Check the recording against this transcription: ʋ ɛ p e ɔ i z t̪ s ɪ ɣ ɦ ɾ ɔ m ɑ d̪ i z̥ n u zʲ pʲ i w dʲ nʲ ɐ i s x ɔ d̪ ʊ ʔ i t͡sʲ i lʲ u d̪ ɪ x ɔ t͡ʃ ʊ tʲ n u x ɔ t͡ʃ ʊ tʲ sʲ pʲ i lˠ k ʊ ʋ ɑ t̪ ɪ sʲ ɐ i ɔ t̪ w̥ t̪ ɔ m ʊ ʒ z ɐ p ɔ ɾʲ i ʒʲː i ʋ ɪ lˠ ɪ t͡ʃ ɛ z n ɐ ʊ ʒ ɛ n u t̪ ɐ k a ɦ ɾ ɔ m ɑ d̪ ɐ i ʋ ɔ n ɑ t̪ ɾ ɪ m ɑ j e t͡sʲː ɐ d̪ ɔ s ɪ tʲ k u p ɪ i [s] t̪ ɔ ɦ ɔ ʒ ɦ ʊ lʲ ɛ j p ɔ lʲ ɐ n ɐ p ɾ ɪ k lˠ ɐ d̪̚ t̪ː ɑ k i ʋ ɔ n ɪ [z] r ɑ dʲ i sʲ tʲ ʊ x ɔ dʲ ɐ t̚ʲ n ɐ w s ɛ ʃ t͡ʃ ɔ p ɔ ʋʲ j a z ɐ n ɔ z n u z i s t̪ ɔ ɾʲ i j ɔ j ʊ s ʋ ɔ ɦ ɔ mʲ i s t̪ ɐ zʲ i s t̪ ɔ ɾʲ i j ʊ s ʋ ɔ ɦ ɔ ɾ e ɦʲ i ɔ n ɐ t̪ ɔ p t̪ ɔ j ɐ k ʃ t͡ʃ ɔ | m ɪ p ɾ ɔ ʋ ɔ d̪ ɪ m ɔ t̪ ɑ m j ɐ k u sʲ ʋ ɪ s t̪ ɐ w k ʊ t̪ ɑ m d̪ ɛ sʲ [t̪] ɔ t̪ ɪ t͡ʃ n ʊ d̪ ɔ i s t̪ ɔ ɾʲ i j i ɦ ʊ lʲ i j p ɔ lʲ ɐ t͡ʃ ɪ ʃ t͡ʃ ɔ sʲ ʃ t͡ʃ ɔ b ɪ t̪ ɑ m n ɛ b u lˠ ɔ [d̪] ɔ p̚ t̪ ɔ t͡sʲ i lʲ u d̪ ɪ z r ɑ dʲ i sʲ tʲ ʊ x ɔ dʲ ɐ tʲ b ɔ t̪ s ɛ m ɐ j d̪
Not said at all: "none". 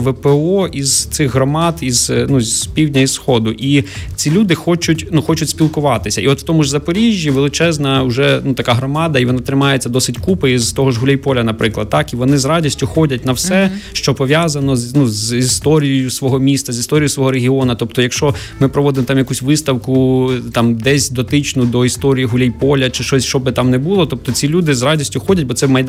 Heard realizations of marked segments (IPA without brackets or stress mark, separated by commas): z, z, d̪, t̪